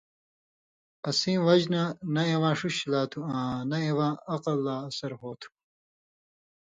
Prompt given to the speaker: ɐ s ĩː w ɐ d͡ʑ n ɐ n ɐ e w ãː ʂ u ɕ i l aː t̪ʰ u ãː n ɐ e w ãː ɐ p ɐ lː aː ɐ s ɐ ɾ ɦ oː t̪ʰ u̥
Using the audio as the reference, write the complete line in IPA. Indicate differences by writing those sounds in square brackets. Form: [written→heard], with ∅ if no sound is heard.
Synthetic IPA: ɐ s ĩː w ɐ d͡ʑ n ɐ n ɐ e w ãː ʂ u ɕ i l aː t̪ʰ u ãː n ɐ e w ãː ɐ [p→q] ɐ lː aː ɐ s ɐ ɾ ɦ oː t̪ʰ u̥

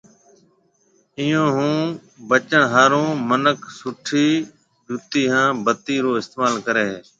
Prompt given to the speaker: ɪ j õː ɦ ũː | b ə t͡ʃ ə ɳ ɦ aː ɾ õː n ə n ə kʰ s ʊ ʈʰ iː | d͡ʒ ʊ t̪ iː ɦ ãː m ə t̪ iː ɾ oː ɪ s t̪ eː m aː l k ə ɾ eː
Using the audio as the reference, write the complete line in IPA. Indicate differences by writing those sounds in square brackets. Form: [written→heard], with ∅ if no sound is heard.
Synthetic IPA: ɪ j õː ɦ ũː | b ə t͡ʃ ə ɳ ɦ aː ɾ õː [n→m] ə n ə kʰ s ʊ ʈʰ iː | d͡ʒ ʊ t̪ iː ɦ ãː [m→b] ə t̪ iː ɾ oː ɪ s t̪ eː m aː l k ə ɾ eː

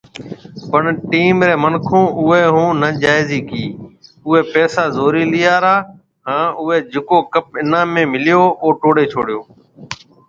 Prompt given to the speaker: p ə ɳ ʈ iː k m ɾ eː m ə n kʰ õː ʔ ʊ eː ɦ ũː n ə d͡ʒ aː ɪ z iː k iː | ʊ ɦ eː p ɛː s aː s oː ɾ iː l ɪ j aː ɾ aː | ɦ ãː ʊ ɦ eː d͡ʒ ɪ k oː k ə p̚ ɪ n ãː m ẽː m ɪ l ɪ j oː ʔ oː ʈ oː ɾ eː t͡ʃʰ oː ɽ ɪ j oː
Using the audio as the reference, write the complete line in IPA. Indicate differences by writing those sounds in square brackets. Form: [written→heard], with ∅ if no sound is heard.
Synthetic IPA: p ə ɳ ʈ iː [k→∅] m ɾ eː m ə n kʰ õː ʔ ʊ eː ɦ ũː n ə d͡ʒ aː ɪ z iː k iː | ʊ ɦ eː p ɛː s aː [s→z] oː ɾ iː l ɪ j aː ɾ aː | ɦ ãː ʊ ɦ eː d͡ʒ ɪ k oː k ə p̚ ɪ n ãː m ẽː m ɪ l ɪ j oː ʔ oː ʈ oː [ɾ→ɽ] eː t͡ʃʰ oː ɽ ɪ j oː

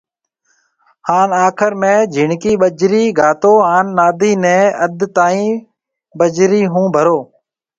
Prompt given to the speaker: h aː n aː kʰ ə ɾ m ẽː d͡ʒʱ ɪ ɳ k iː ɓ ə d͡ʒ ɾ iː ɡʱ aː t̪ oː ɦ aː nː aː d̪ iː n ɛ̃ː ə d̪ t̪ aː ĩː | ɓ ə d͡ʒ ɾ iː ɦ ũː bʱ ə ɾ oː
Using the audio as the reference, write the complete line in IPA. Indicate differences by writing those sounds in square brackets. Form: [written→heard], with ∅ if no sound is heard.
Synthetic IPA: h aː n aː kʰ ə ɾ m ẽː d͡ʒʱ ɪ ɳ k iː ɓ ə d͡ʒ ɾ iː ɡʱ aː t̪ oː ɦ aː nː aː d̪ iː n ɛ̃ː ə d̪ t̪ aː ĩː | ɓ ə d͡ʒ ɾ iː ɦ ũː bʱ ə ɾ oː

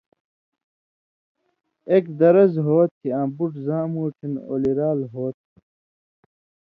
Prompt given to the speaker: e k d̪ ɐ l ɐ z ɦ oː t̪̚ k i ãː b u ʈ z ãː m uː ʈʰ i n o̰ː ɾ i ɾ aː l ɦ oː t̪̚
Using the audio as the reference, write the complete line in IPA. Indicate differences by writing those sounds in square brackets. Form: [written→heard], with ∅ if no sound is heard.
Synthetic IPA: e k d̪ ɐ [l→ɾ] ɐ z ɦ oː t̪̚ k i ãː b u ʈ z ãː m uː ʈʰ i n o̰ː [ɾ→l] i ɾ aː l ɦ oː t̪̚

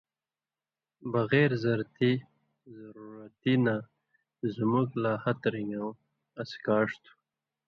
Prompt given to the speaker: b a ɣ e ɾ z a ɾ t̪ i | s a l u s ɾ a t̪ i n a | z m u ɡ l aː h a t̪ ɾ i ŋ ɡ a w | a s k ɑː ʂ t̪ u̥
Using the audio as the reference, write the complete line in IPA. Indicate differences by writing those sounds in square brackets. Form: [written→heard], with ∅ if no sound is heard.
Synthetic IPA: b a ɣ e ɾ z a ɾ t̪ i | [s→z] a [l→ɾ] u [s→∅] ɾ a t̪ i n a | z m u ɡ l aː h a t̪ ɾ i ŋ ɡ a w | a s k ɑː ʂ t̪ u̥

